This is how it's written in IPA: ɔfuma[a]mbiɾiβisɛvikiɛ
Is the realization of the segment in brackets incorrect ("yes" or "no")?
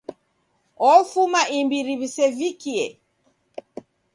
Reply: yes